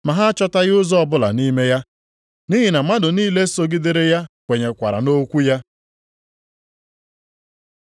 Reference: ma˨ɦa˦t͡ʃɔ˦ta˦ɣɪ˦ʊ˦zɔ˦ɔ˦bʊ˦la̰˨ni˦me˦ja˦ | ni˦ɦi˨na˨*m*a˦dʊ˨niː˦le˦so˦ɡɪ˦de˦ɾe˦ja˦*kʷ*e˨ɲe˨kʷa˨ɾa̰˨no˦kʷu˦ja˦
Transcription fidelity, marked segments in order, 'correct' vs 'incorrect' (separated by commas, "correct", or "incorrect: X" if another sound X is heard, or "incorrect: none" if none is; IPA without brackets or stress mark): correct, correct